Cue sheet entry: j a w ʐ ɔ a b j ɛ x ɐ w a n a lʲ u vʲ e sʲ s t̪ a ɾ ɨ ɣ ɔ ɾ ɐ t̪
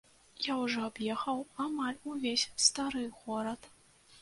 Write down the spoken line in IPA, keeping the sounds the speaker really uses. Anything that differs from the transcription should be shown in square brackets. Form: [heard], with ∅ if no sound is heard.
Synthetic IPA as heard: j a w ʐ ɔ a b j ɛ x ɐ w a [m] a lʲ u vʲ e sʲ s t̪ a ɾ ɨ ɣ ɔ ɾ ɐ t̪